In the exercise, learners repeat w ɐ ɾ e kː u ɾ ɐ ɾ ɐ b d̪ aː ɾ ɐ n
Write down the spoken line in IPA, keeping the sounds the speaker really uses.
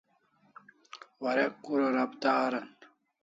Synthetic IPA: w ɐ ɾ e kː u ɾ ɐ ɾ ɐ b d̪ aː ɾ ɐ n